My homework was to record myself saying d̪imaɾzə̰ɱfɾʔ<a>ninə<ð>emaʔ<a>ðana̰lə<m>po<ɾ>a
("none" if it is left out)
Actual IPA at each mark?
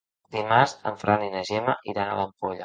a, ʒ, i, m, ʎ

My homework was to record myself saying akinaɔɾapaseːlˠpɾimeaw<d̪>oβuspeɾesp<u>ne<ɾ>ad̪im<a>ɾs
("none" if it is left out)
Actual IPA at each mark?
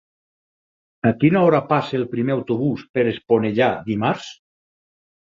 t̪, o, ʎ, a

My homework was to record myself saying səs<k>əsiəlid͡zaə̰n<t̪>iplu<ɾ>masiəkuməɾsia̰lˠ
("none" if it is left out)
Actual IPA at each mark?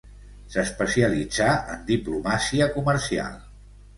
p, d̪, none

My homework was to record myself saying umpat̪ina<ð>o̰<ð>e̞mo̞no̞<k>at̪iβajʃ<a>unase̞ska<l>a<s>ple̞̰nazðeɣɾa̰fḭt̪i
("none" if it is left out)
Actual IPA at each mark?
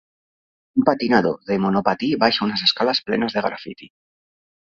ð, ð, p, a, l, s

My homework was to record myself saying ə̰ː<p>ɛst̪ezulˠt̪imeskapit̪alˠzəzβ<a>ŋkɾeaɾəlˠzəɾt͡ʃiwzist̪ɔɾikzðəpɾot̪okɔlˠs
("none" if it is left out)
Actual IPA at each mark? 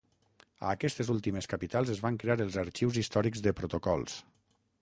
k, a

